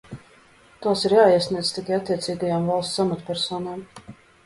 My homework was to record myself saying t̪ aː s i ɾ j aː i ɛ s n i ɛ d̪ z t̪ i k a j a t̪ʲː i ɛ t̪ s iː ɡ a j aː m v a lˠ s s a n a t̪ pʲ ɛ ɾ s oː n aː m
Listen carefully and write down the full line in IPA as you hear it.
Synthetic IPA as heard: t̪ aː s i ɾ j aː i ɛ s n i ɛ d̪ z t̪ i k a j a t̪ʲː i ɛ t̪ s iː ɡ a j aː m v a lˠ s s a m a t̪ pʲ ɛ ɾ s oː n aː m